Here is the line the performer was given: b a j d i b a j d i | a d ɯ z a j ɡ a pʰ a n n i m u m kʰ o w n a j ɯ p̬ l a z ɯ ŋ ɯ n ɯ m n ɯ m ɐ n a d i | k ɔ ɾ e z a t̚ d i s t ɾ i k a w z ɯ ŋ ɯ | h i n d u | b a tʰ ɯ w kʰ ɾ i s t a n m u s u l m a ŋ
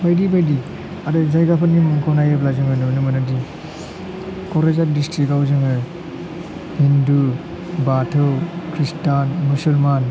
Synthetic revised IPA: b a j d i b a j d i | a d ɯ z a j ɡ a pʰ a n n i m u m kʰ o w n a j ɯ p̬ l a z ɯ ŋ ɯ n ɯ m n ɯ m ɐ n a d i | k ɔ ɾ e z a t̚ d i s t ɾ i k a w z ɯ ŋ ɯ | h i n d u | b a tʰ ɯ w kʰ ɾ i s t a n m u s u l m a n